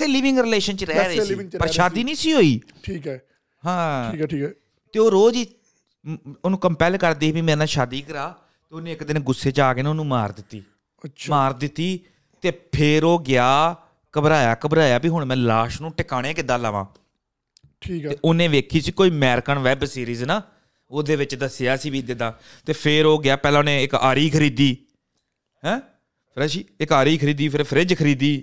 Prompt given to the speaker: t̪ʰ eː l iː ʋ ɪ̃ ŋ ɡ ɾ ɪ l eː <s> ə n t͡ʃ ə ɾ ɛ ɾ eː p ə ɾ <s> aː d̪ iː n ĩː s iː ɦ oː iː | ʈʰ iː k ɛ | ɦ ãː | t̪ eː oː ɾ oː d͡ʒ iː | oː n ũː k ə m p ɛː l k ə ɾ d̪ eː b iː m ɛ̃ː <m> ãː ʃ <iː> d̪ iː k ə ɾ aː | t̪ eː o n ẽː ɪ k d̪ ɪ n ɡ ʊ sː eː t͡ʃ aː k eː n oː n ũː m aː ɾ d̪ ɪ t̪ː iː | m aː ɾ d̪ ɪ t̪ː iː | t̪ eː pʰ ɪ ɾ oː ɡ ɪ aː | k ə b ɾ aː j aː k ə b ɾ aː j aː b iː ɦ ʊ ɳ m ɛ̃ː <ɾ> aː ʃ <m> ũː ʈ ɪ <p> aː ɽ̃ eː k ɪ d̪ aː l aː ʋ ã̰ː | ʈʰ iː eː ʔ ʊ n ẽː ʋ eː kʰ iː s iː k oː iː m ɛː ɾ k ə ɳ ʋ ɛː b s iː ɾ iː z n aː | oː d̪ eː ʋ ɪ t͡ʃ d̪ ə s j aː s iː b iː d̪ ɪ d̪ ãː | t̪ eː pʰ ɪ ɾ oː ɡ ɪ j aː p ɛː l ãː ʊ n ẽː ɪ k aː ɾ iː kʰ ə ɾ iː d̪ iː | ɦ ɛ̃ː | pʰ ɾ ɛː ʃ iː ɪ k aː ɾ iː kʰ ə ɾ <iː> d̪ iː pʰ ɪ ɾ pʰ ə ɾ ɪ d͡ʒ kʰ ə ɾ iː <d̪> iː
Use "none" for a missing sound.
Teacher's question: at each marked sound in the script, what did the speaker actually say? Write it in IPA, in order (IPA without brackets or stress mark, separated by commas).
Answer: ʃ, ʃ, n, aː, l, n, k, iː, d̪